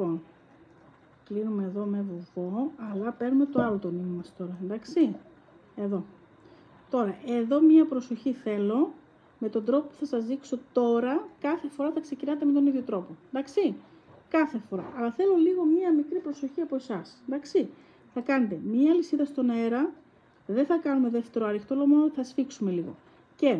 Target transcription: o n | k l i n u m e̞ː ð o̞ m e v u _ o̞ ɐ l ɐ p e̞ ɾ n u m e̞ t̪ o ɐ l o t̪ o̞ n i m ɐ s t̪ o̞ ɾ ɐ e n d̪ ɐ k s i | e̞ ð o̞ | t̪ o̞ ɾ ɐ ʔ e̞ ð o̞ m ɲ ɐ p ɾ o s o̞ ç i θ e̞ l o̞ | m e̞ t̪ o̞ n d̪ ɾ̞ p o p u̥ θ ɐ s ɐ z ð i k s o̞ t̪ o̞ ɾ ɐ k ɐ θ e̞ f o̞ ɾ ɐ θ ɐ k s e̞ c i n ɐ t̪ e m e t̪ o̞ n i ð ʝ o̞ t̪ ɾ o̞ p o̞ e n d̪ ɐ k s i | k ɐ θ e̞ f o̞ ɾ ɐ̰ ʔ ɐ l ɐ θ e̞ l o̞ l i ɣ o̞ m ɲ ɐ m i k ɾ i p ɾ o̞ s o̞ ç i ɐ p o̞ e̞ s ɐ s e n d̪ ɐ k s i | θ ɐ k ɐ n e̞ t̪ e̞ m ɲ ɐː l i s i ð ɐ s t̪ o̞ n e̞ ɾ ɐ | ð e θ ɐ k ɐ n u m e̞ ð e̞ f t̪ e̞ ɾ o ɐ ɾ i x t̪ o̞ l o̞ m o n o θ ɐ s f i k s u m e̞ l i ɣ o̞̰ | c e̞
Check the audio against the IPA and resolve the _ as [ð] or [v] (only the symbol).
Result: v